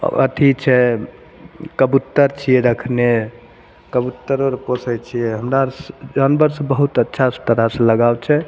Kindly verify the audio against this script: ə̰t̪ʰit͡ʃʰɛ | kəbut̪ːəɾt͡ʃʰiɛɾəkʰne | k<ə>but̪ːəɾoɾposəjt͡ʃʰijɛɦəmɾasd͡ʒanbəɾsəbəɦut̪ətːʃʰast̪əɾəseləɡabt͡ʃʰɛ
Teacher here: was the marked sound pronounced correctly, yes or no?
yes